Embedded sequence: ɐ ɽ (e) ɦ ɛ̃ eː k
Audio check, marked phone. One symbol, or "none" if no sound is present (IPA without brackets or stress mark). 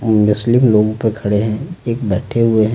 e